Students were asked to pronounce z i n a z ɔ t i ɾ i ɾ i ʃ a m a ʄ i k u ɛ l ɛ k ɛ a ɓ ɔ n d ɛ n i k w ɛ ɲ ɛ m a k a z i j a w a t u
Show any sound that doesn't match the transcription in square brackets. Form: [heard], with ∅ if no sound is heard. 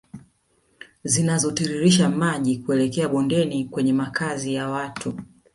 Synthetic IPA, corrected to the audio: z i n a z ɔ t i ɾ i ɾ i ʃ a m a ʄ i k u ɛ l ɛ k ɛ a ɓ ɔ n d ɛ n i k w ɛ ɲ ɛ m a k a z i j a w a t u